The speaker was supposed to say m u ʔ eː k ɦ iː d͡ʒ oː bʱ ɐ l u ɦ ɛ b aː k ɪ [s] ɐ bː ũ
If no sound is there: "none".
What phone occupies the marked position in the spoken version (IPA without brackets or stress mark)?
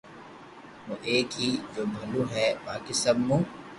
s